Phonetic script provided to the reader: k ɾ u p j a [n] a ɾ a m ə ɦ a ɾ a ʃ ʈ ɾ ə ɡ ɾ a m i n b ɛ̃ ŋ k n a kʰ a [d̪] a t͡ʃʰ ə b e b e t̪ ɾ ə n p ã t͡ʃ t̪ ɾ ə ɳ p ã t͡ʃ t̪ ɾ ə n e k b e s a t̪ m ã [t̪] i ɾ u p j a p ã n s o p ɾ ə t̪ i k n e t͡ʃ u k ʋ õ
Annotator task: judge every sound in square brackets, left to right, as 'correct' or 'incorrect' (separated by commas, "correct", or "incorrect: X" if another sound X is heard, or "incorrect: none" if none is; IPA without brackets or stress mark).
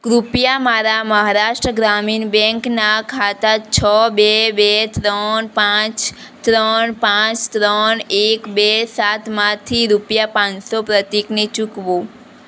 incorrect: m, incorrect: t̪, incorrect: t̪ʰ